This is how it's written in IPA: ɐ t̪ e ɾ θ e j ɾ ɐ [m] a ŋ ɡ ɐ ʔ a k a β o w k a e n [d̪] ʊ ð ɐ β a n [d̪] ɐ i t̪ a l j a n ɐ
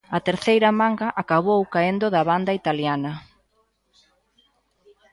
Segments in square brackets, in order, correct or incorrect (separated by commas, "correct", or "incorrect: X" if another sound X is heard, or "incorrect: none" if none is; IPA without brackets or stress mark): correct, correct, correct